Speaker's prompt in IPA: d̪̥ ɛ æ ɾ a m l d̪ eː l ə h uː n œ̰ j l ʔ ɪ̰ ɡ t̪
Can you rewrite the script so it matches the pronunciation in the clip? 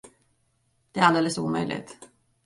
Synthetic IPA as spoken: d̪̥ ɛ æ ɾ a l d̪ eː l ə s uː m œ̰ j l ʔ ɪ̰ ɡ t̪